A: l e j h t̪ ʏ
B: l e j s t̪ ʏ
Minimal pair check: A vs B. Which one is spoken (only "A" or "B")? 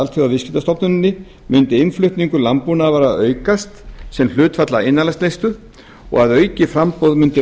B